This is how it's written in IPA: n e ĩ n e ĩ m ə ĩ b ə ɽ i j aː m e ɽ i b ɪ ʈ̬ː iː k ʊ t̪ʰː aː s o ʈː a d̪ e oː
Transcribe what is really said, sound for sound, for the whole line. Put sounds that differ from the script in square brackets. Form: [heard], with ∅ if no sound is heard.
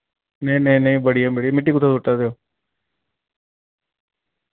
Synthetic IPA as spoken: n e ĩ n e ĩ [n] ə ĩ b ə ɽ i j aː m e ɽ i [m] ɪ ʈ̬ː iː k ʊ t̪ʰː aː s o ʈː a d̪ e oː